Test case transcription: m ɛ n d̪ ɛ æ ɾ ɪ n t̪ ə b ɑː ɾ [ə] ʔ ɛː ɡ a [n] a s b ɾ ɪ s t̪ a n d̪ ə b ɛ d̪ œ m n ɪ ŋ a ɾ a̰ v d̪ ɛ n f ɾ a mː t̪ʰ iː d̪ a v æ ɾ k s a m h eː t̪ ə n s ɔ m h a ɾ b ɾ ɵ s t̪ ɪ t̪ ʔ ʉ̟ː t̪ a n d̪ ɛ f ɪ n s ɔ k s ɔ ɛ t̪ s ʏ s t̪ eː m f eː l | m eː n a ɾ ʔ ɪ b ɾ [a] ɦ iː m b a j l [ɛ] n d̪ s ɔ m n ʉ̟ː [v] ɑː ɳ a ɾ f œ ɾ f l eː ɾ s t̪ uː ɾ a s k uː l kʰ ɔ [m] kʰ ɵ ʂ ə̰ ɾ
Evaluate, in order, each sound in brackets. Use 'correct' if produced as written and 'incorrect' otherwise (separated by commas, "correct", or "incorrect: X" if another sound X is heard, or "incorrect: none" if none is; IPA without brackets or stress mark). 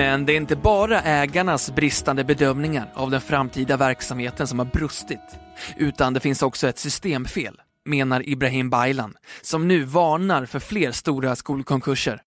incorrect: a, incorrect: ɳ, correct, incorrect: a, correct, incorrect: ŋ